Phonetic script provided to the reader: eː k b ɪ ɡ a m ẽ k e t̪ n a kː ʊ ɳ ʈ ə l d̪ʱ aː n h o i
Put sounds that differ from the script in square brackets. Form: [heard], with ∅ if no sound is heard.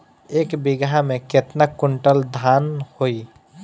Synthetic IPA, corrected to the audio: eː k b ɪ ɡ a m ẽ k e t̪ n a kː ʊ ɳ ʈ ə l d̪ʱ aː n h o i